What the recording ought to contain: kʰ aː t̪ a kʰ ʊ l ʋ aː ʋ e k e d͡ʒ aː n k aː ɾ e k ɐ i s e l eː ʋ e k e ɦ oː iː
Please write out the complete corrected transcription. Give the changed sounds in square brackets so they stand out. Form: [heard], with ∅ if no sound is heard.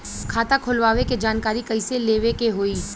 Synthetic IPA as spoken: kʰ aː t̪ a kʰ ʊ l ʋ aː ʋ e k e d͡ʒ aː n k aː ɾ [i] k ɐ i s e l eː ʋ e k e ɦ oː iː